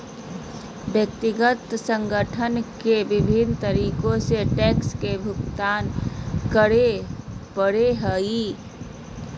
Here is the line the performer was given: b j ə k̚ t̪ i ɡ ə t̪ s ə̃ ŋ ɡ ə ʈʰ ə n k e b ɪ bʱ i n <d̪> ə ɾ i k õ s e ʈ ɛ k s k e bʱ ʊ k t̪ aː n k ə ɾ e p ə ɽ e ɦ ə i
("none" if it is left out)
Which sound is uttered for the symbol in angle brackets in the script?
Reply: t̪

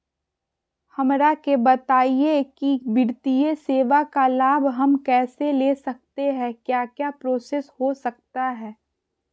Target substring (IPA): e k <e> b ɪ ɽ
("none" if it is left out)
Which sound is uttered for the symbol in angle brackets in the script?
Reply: i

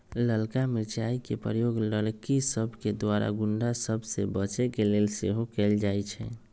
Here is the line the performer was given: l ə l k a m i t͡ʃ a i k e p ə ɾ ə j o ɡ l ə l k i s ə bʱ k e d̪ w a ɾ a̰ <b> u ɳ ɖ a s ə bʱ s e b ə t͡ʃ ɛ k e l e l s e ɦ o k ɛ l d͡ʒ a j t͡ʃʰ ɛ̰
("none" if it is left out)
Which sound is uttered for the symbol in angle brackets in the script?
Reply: ɡ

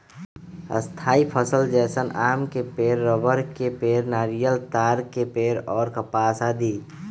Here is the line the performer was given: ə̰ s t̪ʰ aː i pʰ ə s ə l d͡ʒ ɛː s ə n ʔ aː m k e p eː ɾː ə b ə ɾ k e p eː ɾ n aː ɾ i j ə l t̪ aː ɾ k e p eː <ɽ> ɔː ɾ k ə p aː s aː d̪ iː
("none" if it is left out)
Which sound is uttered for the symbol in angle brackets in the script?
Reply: ɾ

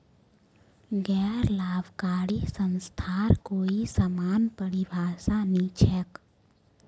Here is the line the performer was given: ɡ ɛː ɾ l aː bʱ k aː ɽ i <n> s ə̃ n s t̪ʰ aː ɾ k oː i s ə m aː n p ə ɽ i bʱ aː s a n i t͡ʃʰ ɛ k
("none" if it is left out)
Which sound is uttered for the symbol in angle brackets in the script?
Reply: none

